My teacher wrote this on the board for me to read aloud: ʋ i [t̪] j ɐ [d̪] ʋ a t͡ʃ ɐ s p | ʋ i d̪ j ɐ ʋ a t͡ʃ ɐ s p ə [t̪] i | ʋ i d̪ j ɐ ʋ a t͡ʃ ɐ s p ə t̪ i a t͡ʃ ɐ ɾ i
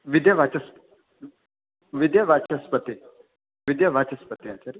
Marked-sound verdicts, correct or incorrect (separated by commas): incorrect, incorrect, correct